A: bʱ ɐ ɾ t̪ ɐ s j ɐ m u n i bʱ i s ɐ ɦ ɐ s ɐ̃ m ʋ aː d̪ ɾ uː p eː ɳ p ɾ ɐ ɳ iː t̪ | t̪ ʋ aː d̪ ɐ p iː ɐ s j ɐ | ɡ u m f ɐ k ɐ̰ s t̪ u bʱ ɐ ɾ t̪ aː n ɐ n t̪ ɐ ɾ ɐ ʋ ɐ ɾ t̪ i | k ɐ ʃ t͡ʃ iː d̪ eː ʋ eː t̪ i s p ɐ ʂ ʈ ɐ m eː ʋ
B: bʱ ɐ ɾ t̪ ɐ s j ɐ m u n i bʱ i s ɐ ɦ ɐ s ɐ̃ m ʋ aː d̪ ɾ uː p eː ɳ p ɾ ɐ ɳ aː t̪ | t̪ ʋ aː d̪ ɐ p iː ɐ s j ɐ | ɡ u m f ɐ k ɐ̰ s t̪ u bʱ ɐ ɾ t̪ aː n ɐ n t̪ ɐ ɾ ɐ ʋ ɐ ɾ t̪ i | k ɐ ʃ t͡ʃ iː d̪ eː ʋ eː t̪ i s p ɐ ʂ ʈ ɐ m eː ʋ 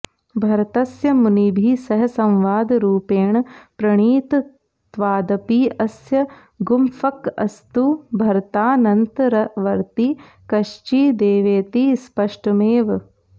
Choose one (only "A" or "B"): A